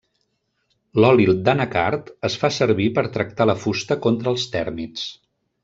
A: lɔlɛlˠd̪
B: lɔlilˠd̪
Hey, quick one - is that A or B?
B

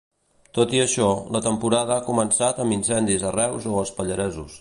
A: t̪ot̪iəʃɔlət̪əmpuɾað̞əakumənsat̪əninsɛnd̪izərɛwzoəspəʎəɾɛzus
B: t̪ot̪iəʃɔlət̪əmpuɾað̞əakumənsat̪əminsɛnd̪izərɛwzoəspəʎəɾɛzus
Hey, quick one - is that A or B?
B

